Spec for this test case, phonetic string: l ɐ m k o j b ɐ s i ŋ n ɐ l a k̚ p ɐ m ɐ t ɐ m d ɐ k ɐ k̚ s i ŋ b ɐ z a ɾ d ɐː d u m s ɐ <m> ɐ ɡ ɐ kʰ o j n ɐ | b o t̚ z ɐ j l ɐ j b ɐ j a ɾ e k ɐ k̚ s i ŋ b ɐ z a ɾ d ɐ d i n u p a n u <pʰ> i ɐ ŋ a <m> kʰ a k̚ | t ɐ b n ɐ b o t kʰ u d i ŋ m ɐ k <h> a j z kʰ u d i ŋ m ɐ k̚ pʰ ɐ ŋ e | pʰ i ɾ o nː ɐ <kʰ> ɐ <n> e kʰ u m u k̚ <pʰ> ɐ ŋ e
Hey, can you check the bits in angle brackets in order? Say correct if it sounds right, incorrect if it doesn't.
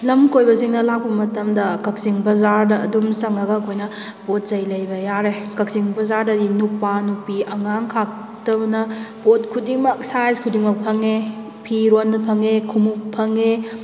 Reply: incorrect: ŋ, incorrect: p, incorrect: ŋ, incorrect: s, incorrect: pʰ, incorrect: ŋ, correct

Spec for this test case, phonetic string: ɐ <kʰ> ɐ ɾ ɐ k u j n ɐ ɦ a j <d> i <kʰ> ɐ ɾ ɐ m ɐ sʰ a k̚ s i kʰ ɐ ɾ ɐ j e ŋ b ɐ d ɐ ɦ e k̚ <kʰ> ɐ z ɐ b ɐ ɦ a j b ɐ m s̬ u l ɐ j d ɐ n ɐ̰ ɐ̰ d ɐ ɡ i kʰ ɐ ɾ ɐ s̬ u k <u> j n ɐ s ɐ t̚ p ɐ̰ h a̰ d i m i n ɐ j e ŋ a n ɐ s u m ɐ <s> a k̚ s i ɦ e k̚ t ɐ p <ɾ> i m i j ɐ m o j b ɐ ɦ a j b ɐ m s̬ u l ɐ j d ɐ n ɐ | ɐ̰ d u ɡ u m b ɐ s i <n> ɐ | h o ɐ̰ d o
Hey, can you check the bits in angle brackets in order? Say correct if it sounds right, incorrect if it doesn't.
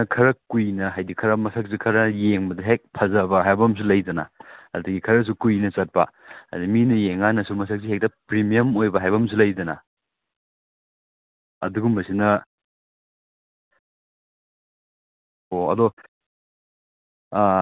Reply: correct, correct, correct, incorrect: pʰ, correct, correct, correct, correct

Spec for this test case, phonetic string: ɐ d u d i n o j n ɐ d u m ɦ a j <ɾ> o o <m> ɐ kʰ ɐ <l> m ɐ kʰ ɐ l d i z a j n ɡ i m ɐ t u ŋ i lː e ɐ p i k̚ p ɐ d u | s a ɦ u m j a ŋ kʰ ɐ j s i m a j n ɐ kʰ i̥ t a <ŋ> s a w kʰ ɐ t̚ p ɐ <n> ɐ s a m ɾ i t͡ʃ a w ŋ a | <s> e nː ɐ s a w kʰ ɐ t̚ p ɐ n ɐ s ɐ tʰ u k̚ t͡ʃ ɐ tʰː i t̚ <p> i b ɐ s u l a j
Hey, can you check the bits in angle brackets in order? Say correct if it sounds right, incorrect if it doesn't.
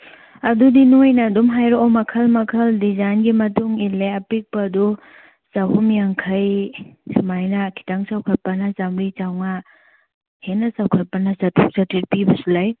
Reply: correct, correct, correct, correct, correct, incorrect: h, correct

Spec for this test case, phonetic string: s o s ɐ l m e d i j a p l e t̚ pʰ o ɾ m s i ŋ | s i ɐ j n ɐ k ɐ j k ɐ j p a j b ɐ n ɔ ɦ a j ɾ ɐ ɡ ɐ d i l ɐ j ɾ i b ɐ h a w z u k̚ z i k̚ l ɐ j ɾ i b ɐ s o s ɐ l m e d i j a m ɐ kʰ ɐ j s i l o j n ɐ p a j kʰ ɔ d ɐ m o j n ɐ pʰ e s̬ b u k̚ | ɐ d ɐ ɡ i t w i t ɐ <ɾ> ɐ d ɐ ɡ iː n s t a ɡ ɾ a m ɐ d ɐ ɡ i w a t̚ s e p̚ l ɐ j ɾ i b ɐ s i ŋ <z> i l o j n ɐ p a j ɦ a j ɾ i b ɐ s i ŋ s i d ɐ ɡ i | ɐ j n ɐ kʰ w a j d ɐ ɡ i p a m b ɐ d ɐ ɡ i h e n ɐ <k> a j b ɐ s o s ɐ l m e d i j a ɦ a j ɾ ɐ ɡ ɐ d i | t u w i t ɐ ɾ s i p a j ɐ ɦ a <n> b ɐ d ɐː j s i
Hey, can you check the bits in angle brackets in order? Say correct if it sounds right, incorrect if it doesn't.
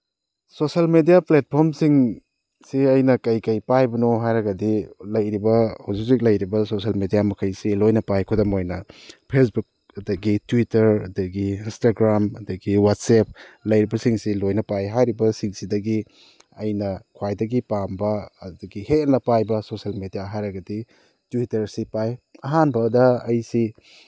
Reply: correct, incorrect: s, incorrect: p, correct

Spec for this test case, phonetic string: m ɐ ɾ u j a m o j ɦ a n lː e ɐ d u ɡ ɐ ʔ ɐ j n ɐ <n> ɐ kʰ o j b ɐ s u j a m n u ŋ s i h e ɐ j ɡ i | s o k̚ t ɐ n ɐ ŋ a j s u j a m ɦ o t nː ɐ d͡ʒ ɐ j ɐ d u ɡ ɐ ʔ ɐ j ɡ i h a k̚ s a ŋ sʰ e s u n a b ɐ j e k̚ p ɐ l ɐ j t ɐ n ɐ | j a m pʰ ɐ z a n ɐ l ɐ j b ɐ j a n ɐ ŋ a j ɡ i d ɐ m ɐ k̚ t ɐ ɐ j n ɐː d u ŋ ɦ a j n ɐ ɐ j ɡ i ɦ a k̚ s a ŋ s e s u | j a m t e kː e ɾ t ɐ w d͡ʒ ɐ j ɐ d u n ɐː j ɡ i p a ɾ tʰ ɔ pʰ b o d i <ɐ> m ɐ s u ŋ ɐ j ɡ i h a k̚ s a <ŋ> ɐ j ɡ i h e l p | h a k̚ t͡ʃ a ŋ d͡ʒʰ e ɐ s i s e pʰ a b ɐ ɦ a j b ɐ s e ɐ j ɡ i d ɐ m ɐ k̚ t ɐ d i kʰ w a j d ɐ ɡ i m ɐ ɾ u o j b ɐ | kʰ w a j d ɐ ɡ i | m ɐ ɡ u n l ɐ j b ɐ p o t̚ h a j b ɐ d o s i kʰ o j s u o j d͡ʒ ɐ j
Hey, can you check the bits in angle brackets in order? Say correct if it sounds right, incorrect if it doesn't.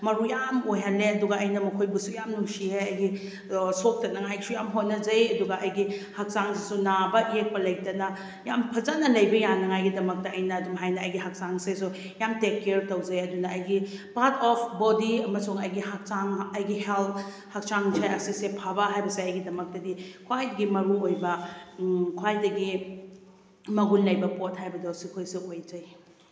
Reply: incorrect: m, correct, correct

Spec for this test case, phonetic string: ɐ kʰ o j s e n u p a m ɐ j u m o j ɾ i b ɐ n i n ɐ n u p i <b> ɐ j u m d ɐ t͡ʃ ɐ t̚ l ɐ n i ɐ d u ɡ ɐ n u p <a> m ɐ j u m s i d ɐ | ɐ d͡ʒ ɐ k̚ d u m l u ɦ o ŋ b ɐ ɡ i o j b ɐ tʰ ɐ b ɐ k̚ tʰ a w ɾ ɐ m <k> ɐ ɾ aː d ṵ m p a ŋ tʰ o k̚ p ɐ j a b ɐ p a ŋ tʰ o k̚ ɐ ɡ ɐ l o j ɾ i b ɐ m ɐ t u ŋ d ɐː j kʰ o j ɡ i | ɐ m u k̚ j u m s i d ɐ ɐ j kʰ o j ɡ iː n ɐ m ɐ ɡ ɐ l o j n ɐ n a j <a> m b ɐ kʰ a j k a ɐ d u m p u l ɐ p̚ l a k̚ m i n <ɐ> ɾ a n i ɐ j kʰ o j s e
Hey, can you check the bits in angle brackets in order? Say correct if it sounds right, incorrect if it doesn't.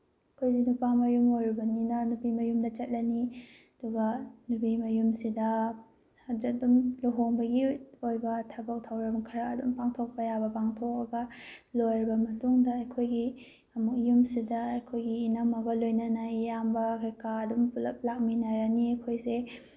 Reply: incorrect: m, incorrect: i, incorrect: kʰ, correct, incorrect: a

